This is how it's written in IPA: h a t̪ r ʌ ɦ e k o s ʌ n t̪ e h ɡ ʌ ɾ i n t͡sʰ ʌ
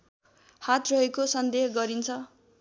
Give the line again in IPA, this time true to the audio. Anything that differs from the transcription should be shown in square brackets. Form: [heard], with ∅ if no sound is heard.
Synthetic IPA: h a t̪ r ʌ ɦ e k o s ʌ n [d̪] e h ɡ ʌ ɾ i n t͡sʰ ʌ